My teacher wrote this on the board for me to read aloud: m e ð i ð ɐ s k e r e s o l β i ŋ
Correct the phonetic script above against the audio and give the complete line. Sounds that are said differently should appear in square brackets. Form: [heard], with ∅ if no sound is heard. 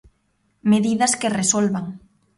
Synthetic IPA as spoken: m e ð i ð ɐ s k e r e s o l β [a] ŋ